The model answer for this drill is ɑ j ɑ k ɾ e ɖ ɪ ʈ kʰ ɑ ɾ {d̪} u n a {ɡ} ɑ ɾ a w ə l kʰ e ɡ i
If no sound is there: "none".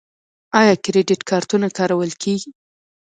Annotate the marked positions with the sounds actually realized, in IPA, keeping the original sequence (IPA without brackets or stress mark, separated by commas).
t̪, k